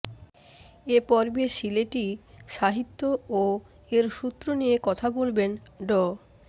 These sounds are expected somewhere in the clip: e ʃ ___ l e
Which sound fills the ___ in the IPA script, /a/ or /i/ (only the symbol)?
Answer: i